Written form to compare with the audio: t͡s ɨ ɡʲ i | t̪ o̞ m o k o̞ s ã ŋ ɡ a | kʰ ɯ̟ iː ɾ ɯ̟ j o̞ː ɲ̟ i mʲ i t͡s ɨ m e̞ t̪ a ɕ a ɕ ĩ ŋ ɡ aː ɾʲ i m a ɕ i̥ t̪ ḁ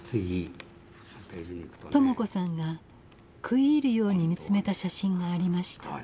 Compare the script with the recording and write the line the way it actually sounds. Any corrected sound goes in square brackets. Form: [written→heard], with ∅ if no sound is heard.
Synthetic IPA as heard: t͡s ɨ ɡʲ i | t̪ o̞ m o k o̞ s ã ŋ ɡ a | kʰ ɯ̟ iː ɾ ɯ̟ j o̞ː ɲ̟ i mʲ i t͡s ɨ m e̞ t̪ a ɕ a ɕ ĩ ŋ ɡ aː ɾʲ i m a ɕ i̥ t̪ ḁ